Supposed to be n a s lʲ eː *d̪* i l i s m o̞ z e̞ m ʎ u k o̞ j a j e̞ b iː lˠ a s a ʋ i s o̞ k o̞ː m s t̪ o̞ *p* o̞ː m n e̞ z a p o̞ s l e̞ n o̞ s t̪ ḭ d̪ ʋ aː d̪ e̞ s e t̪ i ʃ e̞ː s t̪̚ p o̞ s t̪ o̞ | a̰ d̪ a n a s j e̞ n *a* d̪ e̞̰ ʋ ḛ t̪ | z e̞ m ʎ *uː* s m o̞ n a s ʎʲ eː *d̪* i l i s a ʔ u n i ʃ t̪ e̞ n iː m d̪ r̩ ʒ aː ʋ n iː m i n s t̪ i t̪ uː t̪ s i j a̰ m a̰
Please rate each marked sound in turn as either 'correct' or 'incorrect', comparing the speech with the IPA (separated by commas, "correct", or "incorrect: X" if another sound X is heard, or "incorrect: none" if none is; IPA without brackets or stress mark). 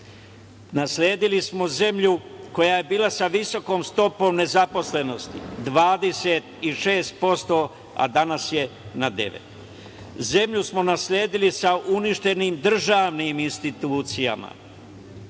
correct, correct, correct, incorrect: u, correct